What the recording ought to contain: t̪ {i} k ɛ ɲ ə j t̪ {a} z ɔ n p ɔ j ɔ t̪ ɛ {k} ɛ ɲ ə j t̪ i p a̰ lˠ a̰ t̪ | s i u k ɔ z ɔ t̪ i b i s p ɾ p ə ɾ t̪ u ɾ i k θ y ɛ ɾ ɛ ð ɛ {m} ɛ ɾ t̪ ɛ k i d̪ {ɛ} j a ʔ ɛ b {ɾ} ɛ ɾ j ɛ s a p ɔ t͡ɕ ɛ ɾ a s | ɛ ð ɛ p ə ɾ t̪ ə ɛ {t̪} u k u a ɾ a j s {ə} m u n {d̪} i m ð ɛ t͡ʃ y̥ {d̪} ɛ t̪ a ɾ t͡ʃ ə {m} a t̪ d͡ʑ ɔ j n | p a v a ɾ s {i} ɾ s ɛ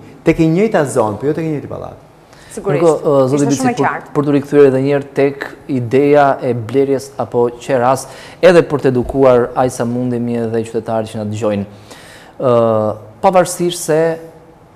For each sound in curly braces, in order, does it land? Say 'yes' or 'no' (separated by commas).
no, yes, yes, no, yes, no, no, no, yes, no, no, yes